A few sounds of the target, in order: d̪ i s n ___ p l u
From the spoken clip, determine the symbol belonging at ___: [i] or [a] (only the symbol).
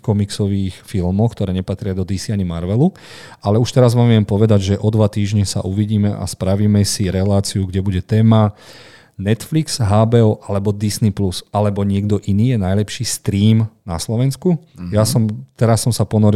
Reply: i